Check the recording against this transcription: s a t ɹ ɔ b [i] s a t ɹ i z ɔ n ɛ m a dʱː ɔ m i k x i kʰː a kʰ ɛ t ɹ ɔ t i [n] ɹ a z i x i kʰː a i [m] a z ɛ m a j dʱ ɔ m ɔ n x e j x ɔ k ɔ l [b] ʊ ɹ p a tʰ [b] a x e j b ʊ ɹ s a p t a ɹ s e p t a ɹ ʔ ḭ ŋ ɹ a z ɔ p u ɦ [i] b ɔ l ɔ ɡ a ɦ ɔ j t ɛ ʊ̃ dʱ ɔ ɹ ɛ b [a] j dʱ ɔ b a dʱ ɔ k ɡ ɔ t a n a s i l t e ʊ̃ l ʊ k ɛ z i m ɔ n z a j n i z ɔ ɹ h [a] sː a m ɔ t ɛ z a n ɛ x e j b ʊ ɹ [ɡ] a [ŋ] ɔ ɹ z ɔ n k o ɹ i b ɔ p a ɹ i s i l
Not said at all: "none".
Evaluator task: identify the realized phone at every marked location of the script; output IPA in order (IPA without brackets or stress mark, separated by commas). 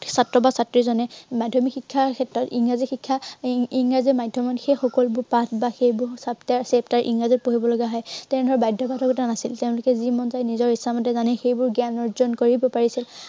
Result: a, ŋ, ŋ, b, b, i, a, i, ɡ, n